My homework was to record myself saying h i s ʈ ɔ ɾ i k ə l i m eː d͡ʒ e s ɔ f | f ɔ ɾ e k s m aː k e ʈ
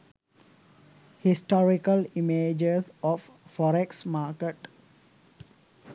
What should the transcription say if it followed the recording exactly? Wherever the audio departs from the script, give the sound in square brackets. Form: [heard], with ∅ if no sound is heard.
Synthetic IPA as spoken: h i s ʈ ɔ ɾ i k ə l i m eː d͡ʒ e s ɔ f | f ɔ ɾ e k s m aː k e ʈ